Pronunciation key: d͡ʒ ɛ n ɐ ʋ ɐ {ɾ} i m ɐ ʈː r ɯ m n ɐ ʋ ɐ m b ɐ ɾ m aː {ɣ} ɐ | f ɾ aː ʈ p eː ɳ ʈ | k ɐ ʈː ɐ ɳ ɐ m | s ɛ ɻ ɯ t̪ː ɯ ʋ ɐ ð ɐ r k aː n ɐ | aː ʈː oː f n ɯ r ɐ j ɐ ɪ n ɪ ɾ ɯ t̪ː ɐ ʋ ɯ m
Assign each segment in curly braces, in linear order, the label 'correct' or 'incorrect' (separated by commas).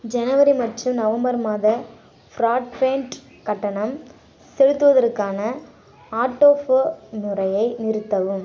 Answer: correct, incorrect